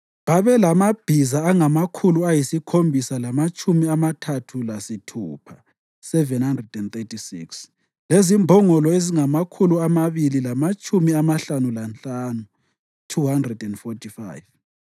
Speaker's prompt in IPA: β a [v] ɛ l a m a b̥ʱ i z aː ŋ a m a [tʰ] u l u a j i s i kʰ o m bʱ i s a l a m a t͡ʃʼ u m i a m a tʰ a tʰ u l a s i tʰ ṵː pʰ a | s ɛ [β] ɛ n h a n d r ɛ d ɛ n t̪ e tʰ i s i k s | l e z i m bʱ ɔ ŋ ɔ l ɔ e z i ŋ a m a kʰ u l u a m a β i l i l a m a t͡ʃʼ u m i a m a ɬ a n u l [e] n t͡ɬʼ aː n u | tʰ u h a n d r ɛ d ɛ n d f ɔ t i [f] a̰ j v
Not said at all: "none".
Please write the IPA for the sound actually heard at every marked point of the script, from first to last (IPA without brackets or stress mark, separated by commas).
β, kʰ, v, a, f